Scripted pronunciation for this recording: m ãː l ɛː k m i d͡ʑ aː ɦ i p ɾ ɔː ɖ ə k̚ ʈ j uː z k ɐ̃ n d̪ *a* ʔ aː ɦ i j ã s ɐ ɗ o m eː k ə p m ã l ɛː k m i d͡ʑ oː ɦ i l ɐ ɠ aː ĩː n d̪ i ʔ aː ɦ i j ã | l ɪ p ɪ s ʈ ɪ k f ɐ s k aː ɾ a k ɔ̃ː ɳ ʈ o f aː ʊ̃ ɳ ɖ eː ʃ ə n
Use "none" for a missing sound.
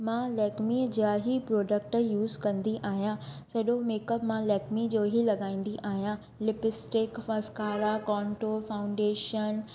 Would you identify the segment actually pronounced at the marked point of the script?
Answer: i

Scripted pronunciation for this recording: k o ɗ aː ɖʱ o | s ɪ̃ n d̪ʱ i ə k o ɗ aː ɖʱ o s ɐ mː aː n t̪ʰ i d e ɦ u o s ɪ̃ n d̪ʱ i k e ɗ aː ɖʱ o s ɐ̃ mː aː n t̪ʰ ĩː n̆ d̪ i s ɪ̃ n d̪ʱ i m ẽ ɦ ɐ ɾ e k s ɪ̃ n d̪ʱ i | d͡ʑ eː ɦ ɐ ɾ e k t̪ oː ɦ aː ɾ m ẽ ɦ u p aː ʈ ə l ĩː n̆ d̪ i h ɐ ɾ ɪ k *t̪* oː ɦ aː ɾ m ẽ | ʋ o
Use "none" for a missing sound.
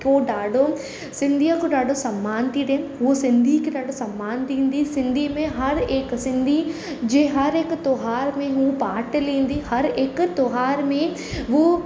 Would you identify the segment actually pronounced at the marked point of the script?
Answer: t̪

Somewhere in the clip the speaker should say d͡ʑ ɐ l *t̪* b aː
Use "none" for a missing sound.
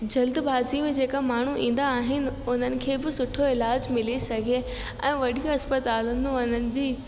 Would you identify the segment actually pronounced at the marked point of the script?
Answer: d̪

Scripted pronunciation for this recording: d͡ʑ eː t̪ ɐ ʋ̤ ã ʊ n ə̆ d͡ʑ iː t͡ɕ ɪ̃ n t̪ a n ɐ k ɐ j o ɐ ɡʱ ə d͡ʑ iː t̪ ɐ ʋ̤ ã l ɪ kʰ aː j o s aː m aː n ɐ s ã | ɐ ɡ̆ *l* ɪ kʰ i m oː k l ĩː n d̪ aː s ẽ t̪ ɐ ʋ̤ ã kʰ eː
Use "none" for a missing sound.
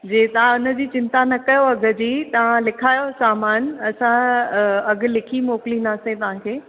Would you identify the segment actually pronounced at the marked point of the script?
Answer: l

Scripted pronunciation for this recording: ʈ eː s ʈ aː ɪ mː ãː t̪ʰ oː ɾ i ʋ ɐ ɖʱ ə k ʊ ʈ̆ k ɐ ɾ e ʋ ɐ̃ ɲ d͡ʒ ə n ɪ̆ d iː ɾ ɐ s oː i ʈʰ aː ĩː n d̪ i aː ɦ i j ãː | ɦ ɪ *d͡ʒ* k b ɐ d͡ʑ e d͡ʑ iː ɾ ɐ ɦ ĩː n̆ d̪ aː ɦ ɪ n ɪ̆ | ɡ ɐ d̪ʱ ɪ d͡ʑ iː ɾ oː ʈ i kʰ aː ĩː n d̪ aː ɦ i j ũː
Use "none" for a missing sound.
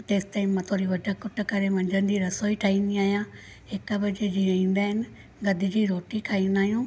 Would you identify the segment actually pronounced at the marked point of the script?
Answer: none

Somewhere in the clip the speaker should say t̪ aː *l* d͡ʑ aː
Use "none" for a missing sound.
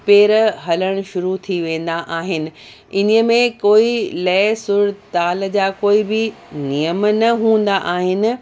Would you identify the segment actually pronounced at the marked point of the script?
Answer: l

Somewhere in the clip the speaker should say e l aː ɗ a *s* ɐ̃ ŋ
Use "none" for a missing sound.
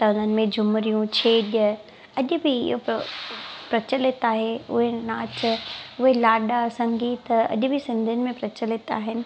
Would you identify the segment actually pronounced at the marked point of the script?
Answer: s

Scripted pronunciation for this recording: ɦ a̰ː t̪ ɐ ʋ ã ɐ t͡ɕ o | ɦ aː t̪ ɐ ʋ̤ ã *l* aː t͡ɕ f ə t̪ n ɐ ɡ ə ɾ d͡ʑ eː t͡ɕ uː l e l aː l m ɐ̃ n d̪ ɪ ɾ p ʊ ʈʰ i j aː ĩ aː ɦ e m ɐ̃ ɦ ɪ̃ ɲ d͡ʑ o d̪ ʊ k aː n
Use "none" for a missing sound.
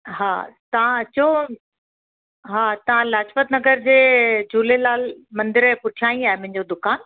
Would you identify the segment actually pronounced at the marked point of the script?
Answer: l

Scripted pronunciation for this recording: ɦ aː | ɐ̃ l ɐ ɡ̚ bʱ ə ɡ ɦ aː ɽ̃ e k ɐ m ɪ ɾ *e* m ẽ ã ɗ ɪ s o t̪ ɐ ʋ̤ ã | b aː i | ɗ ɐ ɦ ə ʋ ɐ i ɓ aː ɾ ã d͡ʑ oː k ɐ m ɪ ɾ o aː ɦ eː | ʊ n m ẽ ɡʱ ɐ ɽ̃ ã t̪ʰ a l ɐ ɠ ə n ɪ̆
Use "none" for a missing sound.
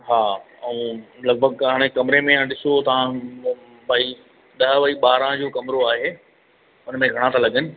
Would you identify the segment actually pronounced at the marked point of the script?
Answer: e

